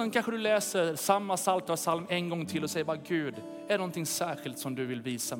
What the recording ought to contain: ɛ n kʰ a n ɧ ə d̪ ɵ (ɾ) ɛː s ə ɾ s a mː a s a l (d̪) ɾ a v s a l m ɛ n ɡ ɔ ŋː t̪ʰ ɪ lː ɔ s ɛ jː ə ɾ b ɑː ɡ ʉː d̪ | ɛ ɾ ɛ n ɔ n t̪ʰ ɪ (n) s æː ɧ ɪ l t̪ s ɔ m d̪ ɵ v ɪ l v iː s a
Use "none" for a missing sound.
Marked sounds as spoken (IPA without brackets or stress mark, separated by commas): l, t̪, ŋ